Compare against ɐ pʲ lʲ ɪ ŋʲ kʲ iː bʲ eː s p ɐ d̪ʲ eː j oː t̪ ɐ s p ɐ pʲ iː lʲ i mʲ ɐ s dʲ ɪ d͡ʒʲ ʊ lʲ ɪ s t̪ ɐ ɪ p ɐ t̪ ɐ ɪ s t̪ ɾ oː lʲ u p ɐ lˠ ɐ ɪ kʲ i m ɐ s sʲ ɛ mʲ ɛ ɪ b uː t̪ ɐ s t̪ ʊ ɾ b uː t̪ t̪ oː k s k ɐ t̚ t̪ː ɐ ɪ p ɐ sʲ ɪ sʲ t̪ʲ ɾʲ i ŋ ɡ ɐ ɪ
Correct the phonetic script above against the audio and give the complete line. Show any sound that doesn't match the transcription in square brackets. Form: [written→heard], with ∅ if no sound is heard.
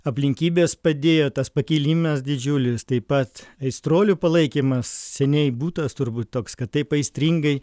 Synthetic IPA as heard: ɐ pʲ lʲ ɪ ŋʲ kʲ iː bʲ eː s p ɐ d̪ʲ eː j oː t̪ ɐ s p ɐ [pʲ→kʲ] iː lʲ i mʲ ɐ s dʲ ɪ d͡ʒʲ ʊ lʲ ɪ s t̪ ɐ ɪ p ɐ t̪ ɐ ɪ s t̪ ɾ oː lʲ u p ɐ lˠ ɐ ɪ kʲ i m ɐ s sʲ ɛ [mʲ→nʲ] ɛ ɪ b uː t̪ ɐ s t̪ ʊ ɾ b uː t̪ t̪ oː k s k ɐ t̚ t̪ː ɐ ɪ p ɐ [sʲ→∅] ɪ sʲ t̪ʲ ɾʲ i ŋ ɡ ɐ ɪ